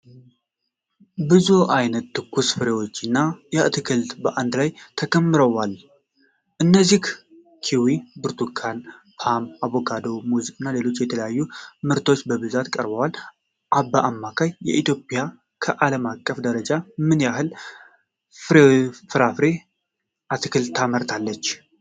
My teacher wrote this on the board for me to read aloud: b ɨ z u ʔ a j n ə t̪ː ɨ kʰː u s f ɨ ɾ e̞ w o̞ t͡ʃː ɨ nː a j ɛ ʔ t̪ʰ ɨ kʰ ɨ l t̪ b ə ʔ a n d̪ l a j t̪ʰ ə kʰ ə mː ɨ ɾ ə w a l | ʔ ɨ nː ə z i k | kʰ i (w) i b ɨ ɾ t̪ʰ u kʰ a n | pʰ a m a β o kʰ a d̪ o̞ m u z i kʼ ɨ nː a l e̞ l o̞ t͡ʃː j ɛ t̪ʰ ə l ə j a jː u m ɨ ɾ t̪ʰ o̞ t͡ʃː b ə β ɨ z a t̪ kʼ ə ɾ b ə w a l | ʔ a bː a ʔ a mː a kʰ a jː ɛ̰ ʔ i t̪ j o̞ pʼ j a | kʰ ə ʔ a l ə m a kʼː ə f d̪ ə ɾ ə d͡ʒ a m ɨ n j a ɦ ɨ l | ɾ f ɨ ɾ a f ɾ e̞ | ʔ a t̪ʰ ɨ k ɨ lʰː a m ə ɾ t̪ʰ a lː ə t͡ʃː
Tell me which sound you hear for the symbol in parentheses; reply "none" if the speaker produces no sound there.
w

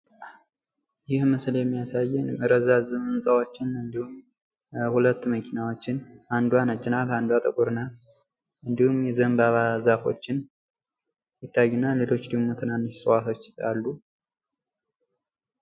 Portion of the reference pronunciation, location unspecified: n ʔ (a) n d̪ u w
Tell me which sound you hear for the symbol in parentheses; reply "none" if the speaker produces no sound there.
a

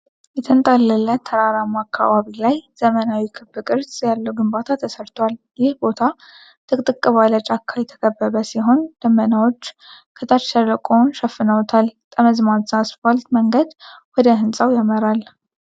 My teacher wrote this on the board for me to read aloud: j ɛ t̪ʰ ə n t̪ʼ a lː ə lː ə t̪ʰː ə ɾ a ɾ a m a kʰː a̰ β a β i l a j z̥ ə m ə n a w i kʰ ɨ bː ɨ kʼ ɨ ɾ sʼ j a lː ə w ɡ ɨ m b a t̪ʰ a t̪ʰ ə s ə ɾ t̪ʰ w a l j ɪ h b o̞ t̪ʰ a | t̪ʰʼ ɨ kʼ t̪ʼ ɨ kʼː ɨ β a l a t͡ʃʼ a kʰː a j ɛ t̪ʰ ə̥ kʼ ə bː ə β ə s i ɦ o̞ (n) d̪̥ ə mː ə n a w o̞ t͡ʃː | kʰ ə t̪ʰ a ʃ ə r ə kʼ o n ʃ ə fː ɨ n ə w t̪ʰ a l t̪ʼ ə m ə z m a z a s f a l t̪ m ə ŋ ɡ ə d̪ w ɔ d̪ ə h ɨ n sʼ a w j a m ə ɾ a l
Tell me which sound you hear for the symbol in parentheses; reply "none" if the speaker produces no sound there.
n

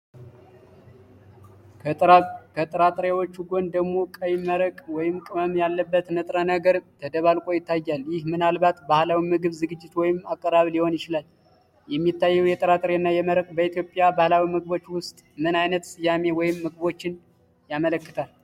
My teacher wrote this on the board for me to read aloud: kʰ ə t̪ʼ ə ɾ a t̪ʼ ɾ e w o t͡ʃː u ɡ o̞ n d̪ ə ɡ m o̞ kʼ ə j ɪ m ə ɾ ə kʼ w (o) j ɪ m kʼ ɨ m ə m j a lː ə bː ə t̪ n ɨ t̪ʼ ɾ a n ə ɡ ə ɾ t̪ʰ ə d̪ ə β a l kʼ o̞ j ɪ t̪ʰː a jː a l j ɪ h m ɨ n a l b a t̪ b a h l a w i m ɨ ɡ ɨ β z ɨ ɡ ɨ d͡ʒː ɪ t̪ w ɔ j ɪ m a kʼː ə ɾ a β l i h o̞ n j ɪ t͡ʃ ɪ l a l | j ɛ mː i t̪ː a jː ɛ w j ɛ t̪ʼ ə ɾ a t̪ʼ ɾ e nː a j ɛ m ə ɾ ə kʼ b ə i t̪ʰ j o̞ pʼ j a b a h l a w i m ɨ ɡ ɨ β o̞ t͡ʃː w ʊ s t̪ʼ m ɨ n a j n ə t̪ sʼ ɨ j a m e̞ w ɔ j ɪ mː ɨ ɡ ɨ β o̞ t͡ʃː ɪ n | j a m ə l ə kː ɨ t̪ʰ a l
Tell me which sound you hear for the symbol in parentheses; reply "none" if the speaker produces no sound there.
ɔ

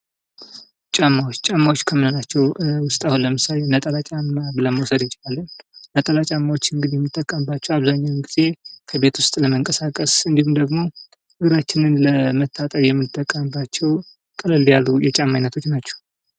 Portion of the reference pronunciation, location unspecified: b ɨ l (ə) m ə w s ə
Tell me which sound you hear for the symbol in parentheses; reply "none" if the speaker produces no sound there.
ə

